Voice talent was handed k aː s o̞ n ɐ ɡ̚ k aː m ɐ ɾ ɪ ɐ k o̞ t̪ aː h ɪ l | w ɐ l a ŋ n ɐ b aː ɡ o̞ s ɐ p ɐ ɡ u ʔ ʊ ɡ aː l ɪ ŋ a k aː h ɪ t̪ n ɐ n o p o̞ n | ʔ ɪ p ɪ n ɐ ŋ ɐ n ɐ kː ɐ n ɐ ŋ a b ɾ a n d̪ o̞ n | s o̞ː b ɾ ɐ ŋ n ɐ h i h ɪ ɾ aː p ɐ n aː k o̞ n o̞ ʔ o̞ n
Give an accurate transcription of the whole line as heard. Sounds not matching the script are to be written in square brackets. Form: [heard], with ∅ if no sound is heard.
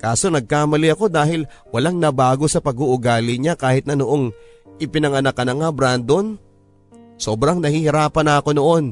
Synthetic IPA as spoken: k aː s o̞ n ɐ ɡ̚ k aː m ɐ [l] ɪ ɐ k o̞ [d̪] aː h ɪ l | w ɐ l a ŋ n ɐ b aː ɡ o̞ s ɐ p ɐ ɡ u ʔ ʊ ɡ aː l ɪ [ɲ] a k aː h ɪ t̪ n ɐ n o [ʔ] o̞ [ŋ] | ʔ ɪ p ɪ n ɐ ŋ ɐ n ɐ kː ɐ n ɐ ŋ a b ɾ a n d̪ o̞ n | s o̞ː b ɾ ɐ ŋ n ɐ h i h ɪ ɾ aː p ɐ n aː k o̞ n o̞ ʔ o̞ n